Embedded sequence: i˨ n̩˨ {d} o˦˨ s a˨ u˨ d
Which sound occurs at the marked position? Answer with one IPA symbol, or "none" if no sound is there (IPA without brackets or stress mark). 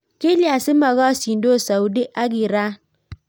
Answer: d